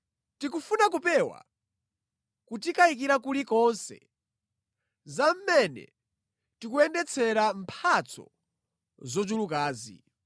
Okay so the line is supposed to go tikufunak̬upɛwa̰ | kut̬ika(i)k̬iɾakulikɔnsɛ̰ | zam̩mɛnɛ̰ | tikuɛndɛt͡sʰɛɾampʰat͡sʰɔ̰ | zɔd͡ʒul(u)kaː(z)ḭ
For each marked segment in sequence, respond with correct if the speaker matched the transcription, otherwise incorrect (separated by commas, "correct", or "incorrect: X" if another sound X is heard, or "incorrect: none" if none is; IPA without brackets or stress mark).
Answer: correct, correct, correct